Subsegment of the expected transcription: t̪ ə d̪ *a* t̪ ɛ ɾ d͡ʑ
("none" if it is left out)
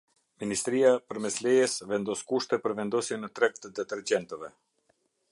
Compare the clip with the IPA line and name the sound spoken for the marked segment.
ɛ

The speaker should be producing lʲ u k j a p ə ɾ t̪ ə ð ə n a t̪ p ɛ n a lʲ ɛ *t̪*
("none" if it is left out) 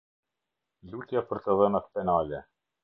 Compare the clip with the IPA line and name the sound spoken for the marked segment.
none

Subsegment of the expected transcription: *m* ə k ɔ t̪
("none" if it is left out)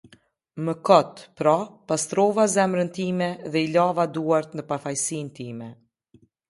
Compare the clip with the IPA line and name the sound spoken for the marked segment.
m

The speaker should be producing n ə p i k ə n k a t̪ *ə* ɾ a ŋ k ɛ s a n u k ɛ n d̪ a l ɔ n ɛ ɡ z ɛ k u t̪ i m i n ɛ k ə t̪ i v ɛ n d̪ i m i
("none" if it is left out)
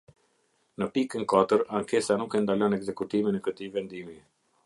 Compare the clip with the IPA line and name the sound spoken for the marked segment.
ə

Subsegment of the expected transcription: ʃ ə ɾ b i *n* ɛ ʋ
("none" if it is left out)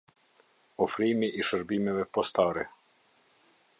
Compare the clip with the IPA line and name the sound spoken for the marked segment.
m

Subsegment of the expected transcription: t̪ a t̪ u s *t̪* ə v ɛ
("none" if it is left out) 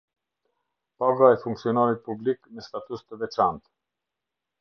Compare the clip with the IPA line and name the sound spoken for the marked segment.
t̪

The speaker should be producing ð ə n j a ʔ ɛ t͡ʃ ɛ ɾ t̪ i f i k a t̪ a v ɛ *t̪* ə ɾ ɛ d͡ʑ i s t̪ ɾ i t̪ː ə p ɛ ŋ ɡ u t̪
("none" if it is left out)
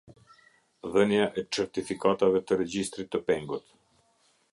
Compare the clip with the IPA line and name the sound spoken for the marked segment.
t̪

